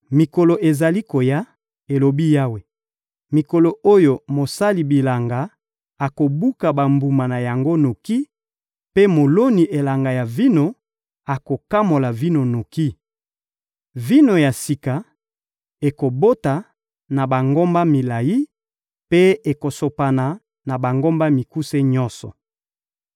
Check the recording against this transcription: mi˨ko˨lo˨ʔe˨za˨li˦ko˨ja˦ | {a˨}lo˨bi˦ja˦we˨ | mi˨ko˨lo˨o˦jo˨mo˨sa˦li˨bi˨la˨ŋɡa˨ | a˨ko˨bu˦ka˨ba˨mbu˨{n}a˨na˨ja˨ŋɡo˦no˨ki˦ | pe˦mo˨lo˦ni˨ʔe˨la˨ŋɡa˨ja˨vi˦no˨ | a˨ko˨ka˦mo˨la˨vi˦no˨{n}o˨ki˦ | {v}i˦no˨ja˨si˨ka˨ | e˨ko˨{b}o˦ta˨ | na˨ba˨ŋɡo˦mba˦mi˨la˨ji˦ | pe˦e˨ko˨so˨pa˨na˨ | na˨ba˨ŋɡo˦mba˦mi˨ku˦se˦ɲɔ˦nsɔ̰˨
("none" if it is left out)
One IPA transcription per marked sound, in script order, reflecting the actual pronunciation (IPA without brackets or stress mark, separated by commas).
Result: e˨, m, n, v, b